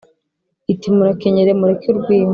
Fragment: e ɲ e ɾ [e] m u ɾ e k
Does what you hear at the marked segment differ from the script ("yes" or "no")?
no